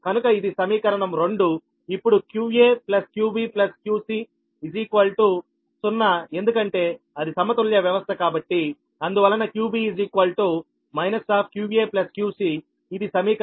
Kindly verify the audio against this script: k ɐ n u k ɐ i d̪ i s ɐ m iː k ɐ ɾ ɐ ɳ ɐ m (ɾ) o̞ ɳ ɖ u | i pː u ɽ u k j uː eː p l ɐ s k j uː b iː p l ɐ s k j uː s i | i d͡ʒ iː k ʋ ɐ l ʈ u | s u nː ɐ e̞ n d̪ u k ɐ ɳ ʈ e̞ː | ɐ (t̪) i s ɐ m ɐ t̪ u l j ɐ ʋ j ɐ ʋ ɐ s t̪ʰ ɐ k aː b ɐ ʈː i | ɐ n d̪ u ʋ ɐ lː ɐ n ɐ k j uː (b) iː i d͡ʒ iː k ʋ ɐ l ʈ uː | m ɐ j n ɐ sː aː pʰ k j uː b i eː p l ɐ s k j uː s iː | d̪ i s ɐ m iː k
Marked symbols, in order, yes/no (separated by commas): yes, no, yes